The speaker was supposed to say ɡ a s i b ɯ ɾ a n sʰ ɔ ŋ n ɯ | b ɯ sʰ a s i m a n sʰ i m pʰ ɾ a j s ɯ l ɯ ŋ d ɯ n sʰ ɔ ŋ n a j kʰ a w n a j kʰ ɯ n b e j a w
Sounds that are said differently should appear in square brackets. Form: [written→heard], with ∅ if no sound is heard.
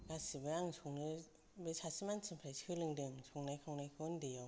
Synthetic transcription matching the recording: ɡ a s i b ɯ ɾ a [n→ŋ] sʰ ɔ ŋ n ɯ | b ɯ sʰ a s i m a n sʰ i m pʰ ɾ a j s ɯ l ɯ ŋ d ɯ [n→ŋ] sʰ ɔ ŋ n a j kʰ a w n a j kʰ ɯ n [b→d] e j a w